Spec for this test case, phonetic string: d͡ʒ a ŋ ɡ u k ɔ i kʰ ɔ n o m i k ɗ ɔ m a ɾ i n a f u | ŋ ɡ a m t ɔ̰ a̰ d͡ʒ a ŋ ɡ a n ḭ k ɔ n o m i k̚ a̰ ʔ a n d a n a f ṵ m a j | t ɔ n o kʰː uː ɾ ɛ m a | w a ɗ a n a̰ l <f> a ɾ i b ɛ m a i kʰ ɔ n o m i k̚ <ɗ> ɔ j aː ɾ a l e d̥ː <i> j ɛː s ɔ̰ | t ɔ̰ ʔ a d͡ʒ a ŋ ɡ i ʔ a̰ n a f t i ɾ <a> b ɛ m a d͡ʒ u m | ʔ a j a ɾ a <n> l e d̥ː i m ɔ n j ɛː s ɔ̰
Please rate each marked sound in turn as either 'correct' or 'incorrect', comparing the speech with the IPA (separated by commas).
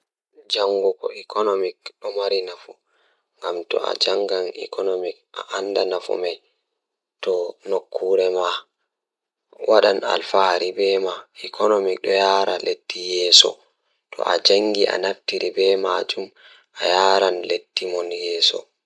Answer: correct, correct, correct, incorrect, correct